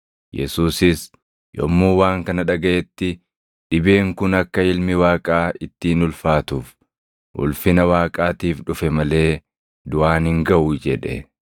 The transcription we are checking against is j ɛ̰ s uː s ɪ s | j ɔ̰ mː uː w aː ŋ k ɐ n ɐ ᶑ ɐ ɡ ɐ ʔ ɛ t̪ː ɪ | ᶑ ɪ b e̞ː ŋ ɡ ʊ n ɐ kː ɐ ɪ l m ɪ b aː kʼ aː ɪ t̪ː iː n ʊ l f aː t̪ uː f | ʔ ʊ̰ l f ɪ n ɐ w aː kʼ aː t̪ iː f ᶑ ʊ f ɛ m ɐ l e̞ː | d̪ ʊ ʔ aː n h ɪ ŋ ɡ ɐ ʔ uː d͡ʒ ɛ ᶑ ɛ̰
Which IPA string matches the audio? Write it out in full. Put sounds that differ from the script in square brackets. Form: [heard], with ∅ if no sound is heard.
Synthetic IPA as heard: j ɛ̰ s uː s ɪ s | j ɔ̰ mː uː w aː ŋ k ɐ n ɐ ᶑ ɐ ɡ ɐ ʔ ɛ t̪ː ɪ | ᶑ ɪ b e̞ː ŋ [k] ʊ n ɐ kː ɐ ɪ l m ɪ [w] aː kʼ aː ɪ t̪ː iː n ʊ l f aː t̪ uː f | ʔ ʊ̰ l f ɪ n ɐ w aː kʼ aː t̪ iː f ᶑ ʊ f ɛ m ɐ l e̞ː | d̪ ʊ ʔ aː n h ɪ ŋ ɡ ɐ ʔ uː d͡ʒ ɛ ᶑ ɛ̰